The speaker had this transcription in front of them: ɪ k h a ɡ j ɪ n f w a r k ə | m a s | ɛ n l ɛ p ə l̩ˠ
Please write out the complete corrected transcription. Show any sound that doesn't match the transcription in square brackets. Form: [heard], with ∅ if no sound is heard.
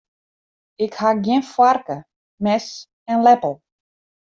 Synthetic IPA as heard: ɪ k h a ɡ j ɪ n f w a r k ə | m [ɛ] s | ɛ n l ɛ p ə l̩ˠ